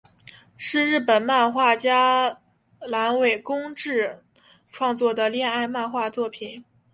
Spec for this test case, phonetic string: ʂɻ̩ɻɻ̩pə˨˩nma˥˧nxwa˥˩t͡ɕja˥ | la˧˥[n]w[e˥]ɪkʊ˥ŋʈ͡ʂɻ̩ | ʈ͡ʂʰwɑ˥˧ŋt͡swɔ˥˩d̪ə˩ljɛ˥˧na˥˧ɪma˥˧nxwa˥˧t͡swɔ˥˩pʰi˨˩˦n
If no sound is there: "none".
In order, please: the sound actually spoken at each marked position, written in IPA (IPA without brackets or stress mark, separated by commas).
n, e˨˩